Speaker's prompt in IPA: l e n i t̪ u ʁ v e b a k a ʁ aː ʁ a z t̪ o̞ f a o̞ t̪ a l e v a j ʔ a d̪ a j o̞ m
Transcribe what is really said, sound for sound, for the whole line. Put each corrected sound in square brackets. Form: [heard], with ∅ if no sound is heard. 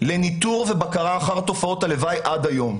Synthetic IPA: l e n i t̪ u ʁ v e b a k a ʁ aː [χ] a [ʁ] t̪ o̞ f a o̞ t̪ a l e v a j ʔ a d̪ a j o̞ m